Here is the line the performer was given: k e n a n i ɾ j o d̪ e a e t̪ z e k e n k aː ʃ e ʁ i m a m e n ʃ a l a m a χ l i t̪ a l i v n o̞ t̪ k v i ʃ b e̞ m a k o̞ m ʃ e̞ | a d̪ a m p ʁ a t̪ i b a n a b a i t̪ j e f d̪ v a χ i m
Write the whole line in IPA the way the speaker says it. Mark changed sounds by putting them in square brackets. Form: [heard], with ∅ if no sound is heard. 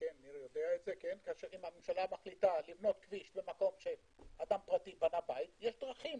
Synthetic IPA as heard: k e n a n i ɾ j o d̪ e a e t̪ z e k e n k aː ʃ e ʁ i m a m e [m] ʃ a l a m a χ l i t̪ a l i v n o̞ t̪ k v i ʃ b e̞ m a k o̞ m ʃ e̞ | a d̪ a m p ʁ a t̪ i b a n a b a i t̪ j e [ʃ] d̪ [ʁ] a χ i m